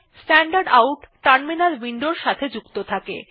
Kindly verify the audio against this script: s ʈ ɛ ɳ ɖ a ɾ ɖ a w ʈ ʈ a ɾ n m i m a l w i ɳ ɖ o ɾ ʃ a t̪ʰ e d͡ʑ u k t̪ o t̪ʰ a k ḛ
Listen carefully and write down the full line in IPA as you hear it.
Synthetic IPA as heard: s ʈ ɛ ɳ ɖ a ɾ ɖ a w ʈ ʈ a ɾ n m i n a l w i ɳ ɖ o ɾ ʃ a t̪ʰ e d͡ʑ u k t̪ o t̪ʰ a k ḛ